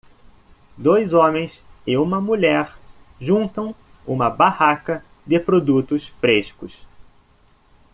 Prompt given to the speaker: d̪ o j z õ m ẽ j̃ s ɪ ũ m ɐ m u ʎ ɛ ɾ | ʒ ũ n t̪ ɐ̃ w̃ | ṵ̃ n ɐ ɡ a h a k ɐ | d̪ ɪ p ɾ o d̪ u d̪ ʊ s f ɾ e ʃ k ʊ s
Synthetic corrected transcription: d̪ o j z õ m ẽ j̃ s ɪ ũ m ɐ m u ʎ ɛ ɾ | ʒ ũ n t̪ ɐ̃ w̃ | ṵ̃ m ɐ b a h a k ɐ | d̪ ɪ p ɾ o d̪ u t̪ ʊ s f ɾ e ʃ k ʊ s

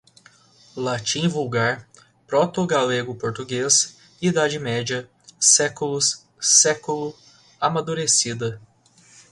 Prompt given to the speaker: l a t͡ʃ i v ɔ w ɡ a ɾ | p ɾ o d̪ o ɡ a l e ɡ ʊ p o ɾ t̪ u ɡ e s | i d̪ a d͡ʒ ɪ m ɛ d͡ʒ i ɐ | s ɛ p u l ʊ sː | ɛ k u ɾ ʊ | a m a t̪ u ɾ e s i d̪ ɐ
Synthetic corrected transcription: l a t͡ʃ ĩ v u w ɡ a ɾ | p ɾ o t̪ o ɡ a l e ɡ ʊ p o ɾ t̪ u ɡ e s | i d̪ a d͡ʒ ɪ m ɛ d͡ʒ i ɐ | s ɛ k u l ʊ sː | ɛ k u l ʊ | a m a d̪ u ɾ e s i d̪ ɐ

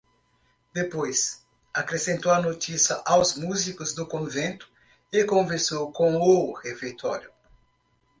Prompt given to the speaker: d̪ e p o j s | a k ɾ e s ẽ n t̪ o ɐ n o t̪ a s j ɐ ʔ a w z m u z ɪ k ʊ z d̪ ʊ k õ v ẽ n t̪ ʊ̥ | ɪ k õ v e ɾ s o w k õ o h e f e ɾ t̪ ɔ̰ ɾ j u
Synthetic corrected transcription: d̪ e p o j s | a k ɾ e s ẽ n t̪ o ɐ n o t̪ i s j ɐ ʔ a w z m u z i k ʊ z d̪ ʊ k õ v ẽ n t̪ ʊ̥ | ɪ k õ v e ɾ s o w k õ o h e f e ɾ t̪ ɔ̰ ɾ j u

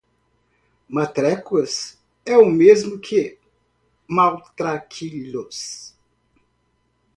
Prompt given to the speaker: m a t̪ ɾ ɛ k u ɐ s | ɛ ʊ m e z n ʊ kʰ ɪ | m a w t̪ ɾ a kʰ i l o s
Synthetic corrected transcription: m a t̪ ɾ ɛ k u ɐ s | ɛ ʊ m e z m ʊ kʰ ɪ | m a w t̪ ɾ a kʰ i l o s

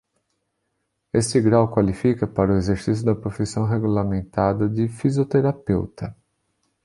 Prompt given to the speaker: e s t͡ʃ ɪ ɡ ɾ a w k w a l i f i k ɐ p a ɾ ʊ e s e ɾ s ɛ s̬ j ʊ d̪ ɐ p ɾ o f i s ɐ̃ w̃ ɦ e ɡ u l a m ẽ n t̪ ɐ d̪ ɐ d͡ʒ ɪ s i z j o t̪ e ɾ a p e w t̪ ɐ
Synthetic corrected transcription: e s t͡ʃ ɪ ɡ ɾ a w k w a l i f i k ɐ p a ɾ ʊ e z e ɾ s i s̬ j ʊ d̪ ɐ p ɾ o f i s ɐ̃ w̃ ɦ e ɡ u l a m ẽ n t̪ a d̪ ɐ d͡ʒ ɪ f i z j o t̪ e ɾ a p e w t̪ ɐ

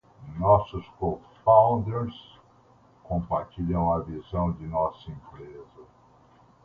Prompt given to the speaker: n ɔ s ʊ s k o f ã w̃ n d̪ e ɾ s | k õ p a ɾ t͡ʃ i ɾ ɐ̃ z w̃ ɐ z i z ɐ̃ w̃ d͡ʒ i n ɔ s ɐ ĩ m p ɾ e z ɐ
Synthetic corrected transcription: n ɔ s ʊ s k o f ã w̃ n d̪ e ɾ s | k õ p a ɾ t͡ʃ i ʎ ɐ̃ w̃ ɐ v i z ɐ̃ w̃ d͡ʒ ɪ n ɔ s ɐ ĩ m p ɾ e z ɐ

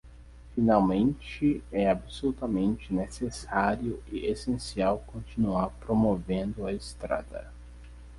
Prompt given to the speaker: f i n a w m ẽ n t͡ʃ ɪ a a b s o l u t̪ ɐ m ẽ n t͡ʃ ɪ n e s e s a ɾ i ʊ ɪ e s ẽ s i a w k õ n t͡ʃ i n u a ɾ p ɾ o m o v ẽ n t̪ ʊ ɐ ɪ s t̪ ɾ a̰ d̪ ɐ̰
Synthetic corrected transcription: f i n a w m ẽ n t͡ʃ ɪ ɛ a b s o l u t̪ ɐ m ẽ n t͡ʃ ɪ n e s e s a ɾ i ʊ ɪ e s ẽ s i a w k õ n t͡ʃ i n u a ɾ p ɾ o m o v ẽ n d̪ ʊ ɐ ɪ s t̪ ɾ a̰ d̪ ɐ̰

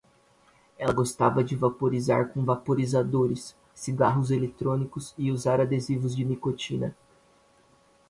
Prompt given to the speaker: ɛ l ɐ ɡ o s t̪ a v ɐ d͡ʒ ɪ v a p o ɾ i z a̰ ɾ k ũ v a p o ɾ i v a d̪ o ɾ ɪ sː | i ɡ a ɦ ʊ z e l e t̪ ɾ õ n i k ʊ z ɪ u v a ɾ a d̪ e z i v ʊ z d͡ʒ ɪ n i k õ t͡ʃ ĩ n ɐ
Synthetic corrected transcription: ɛ l ɐ ɡ o s t̪ a v ɐ d͡ʒ ɪ v a p o ɾ i z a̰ ɾ k õ v a p o ɾ i z a d̪ o ɾ ɪ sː | i ɡ a ɦ ʊ z e l e t̪ ɾ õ n i k ʊ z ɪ u z a ɾ a d̪ e z i v ʊ z d͡ʒ ɪ n i k o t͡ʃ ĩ n ɐ

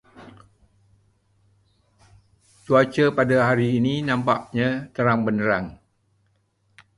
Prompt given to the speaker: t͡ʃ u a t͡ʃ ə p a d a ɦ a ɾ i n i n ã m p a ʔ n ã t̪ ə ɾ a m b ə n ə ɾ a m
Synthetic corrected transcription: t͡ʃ u a t͡ʃ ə p a d a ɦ a ɾ iː n i n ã m p a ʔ ɲ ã t̪ ə ɾ a ŋ b ə n ə ɾ a ŋ

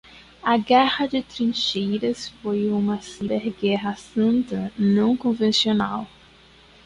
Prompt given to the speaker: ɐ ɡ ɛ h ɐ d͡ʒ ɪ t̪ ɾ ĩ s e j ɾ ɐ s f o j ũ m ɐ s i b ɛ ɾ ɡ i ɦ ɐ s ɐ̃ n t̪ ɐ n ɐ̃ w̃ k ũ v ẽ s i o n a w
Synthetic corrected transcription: ɐ ɡ ɛ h ɐ d͡ʒ ɪ t̪ ɾ ĩ ʃ e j ɾ ɐ s f o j ũ m ɐ s i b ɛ ɾ ɡ ɛ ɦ ɐ s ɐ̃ n t̪ ɐ n ɐ̃ w̃ k õ v ẽ s i o n a w

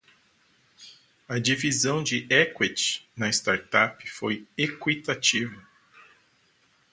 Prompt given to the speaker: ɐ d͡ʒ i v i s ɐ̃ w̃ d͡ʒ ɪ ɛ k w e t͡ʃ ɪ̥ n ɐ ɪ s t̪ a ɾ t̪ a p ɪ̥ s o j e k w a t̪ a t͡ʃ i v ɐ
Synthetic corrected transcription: ɐ d͡ʒ i v i z ɐ̃ w̃ d͡ʒ ɪ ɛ k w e t͡ʃ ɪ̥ n ɐ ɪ s t̪ a ɾ t̪ a p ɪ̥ f o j e k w i t̪ a t͡ʃ i v ɐ

